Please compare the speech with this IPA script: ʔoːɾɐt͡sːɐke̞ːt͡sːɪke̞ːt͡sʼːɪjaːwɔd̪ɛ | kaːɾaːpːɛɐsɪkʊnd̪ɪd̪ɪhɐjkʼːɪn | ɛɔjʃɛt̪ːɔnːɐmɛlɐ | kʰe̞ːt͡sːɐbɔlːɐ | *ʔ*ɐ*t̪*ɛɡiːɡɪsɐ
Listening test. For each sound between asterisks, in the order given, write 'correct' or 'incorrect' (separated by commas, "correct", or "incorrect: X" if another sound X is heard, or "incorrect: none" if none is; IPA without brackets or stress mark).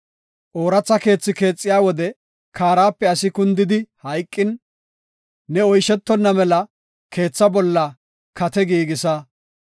incorrect: k, correct